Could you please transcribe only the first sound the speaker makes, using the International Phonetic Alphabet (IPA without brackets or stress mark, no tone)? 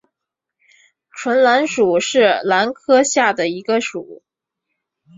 ʈ͡ʂʰ